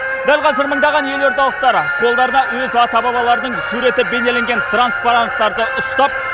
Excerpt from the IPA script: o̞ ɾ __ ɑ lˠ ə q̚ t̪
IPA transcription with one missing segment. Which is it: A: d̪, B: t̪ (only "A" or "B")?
B